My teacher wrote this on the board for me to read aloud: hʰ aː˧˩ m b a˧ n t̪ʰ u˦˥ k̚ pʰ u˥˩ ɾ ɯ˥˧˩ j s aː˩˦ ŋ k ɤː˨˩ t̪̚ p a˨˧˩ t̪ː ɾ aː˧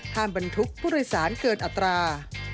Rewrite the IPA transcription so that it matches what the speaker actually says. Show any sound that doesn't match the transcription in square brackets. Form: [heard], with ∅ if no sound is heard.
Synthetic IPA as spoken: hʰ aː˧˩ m b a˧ n t̪ʰ u˦˥ k̚ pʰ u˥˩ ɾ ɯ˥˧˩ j s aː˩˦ [n] k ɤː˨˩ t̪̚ [ʔ] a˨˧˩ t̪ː ɾ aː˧